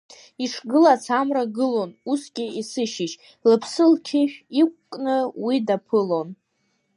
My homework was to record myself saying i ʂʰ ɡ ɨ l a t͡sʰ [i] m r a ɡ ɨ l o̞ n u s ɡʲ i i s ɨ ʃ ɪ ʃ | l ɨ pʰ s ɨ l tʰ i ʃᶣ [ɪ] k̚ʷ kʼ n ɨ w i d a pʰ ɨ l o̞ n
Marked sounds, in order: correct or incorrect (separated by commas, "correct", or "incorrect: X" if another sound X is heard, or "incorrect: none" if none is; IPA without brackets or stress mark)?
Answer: incorrect: a, incorrect: i